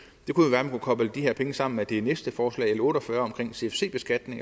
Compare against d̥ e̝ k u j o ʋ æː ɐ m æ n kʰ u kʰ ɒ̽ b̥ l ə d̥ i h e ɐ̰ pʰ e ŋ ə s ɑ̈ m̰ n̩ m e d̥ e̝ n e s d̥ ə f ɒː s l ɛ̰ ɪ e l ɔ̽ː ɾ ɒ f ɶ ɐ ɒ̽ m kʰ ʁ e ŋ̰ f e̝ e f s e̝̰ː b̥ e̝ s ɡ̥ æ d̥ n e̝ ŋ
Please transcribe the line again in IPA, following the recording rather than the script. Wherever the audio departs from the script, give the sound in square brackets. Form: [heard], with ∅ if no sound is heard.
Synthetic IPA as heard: d̥ e̝ k u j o ʋ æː ɐ m æ n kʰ u kʰ ɒ̽ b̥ l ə d̥ i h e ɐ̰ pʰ e ŋ ə s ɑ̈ m̰ n̩ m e d̥ e̝ n e s d̥ ə f ɒː s l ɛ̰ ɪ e l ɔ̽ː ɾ ɒ f ɶ ɐ ɒ̽ m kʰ ʁ e ŋ̰ [s] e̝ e f s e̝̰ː b̥ e̝ s ɡ̥ æ d̥ n e̝ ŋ

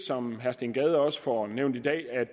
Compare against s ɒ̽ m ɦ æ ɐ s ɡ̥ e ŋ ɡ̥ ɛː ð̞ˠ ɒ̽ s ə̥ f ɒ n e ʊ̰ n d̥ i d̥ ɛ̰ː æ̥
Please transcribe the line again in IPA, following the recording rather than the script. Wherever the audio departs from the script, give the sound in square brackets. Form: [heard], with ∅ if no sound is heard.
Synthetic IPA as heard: s ɒ̽ m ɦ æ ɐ s [d̥] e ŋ ɡ̥ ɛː ð̞ˠ ɒ̽ s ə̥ f ɒ n e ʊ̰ n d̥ i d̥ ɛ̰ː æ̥

